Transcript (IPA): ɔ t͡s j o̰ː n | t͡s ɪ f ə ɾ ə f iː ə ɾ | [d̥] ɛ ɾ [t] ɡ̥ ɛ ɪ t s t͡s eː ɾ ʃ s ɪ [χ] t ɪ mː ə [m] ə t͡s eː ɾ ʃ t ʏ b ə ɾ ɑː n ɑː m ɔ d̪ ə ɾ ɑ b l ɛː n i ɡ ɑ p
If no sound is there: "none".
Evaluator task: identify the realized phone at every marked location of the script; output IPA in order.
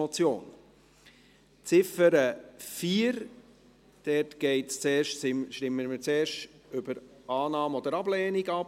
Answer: d̥, t, ʃ, m

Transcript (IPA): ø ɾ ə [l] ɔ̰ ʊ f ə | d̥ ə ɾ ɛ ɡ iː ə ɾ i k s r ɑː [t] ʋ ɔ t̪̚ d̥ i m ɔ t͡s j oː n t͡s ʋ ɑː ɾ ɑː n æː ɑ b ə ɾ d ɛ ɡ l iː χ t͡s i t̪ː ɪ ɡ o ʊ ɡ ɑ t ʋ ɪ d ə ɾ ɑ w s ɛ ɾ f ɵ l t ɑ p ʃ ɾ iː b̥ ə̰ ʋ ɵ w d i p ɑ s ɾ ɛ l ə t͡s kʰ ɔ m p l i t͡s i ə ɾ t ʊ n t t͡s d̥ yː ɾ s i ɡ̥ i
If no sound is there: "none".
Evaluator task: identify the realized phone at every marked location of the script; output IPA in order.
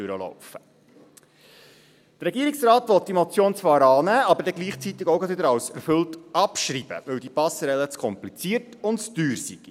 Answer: l, t

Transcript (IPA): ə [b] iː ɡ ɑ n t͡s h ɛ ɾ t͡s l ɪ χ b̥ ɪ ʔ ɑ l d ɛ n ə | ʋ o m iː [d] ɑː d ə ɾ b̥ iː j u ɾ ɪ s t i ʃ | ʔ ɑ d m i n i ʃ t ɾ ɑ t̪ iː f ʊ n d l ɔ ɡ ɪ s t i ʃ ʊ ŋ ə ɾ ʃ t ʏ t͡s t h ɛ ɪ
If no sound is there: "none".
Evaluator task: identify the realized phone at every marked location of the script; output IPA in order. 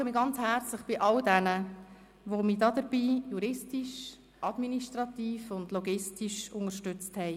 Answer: m, d

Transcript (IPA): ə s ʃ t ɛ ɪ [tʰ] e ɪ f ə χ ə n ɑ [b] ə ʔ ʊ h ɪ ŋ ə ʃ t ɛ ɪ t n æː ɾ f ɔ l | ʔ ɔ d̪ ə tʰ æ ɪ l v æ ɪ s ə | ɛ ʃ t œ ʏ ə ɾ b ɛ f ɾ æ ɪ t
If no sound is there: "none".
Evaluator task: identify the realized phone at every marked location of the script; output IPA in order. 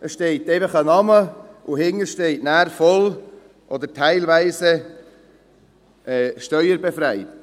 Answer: t, m

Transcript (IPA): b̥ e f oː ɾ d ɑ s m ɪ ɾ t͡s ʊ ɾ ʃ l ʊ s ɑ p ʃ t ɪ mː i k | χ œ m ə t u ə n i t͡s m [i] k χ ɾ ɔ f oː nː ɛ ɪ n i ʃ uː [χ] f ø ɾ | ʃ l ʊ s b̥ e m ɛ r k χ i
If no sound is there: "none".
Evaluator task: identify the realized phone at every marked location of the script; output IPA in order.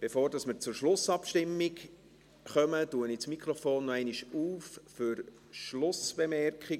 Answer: i, f

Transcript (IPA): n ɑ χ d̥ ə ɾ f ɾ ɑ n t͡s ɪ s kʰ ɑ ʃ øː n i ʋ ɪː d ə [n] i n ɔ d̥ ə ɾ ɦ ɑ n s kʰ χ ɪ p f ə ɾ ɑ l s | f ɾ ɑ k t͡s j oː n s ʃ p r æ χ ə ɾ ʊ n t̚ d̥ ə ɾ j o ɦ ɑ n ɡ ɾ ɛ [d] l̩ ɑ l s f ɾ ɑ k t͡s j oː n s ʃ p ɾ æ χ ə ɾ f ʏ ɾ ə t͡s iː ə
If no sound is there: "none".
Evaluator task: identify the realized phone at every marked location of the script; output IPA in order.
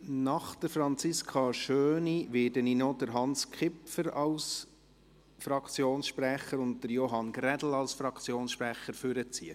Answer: n, d

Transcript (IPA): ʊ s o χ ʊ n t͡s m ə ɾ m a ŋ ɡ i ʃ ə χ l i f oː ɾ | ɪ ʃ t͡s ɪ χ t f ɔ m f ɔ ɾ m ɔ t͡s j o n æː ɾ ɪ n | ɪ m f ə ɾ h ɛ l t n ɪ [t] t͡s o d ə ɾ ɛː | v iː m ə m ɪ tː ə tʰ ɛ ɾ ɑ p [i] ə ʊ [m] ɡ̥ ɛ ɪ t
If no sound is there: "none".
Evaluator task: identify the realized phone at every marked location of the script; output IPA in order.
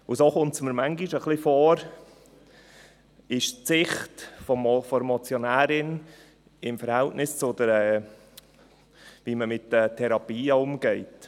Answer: s, iː, m

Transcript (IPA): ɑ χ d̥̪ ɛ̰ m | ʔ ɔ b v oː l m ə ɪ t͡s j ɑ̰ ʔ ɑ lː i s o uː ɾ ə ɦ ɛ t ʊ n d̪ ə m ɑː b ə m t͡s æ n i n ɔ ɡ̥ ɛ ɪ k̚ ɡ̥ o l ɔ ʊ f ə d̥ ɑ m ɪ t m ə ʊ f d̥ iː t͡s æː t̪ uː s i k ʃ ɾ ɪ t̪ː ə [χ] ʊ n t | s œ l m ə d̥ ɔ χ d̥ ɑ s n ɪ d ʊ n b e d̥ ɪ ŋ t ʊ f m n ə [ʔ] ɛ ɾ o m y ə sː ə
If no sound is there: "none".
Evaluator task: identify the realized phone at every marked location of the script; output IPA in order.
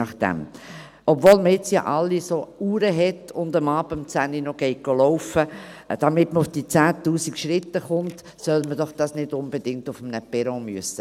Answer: χ, p

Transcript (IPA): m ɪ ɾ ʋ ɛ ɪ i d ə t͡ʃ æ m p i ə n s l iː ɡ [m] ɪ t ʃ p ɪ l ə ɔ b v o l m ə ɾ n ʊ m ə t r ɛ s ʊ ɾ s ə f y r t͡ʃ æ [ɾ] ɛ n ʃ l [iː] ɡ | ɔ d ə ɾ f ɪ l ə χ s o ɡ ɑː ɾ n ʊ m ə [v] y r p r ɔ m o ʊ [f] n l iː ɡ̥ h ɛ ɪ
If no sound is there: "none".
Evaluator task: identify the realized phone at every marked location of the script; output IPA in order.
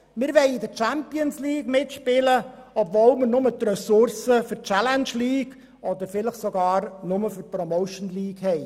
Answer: m, l, iː, f, ʃ

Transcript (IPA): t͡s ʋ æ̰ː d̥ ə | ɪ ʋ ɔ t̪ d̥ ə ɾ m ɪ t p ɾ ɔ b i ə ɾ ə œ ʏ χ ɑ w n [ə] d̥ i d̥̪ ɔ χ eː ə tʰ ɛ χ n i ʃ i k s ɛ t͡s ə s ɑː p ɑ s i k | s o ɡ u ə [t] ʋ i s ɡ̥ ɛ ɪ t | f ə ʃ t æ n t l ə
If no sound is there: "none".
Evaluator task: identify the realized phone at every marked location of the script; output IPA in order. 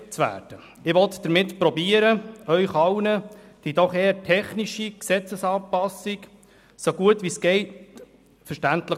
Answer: ə, t

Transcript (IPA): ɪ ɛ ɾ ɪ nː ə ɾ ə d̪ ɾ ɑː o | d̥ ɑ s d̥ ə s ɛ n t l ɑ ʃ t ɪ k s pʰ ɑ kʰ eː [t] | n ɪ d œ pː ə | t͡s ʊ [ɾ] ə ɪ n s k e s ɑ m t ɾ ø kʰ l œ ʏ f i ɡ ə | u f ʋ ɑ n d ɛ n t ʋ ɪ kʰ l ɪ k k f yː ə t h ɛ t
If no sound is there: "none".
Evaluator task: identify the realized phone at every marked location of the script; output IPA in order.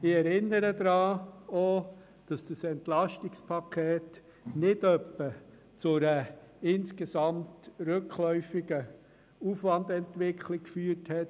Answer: t, ɾ

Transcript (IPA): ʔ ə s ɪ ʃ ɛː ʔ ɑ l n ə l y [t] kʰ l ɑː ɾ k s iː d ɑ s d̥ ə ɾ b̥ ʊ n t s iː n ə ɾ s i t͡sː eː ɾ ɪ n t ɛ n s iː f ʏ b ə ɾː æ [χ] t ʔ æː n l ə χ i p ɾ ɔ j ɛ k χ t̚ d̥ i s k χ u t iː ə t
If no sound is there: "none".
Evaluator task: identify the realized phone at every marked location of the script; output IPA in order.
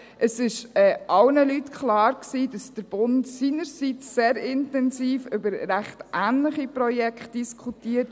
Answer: t, χ

